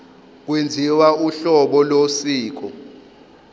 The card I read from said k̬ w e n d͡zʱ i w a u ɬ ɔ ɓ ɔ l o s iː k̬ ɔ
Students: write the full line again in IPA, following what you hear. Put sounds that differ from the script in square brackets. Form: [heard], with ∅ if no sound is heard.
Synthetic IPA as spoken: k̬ w e n d͡zʱ i w a u ɬ ɔ ɓ ɔ l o s iː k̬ ɔ